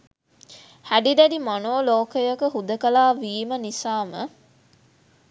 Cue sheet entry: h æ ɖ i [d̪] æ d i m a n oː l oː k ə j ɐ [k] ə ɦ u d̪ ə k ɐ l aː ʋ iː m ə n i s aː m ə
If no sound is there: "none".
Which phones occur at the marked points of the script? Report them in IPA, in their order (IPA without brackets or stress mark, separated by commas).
d̪, k